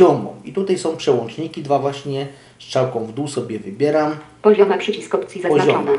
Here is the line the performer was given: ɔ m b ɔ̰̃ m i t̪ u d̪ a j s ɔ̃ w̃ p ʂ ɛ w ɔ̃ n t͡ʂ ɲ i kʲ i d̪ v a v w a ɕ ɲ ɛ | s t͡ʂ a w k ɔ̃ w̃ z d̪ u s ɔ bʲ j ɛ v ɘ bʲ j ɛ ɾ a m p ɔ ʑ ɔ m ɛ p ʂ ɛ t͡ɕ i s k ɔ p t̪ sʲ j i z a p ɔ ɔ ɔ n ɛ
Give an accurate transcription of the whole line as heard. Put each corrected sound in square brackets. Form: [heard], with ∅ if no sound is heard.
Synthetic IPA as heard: ɔ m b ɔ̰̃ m i t̪ u [t̪] a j s ɔ̃ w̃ p ʂ ɛ w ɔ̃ n t͡ʂ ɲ i kʲ i d̪ v a v w a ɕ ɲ ɛ | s t͡ʂ a w k ɔ̃ w̃ [v] d̪ u s ɔ bʲ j ɛ v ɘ bʲ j ɛ ɾ a m p ɔ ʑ ɔ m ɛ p ʂ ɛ t͡ɕ i s k ɔ p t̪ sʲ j i z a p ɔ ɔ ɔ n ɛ